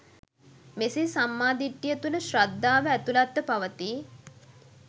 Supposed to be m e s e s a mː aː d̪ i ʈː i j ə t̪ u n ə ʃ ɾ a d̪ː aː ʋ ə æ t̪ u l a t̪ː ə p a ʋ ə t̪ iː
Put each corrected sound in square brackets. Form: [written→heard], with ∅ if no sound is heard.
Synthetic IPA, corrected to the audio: m e s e s a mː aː d̪ i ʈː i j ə t̪ u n ə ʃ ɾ a d̪ː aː ʋ ə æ t̪ u l a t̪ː ə p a ʋ ə t̪ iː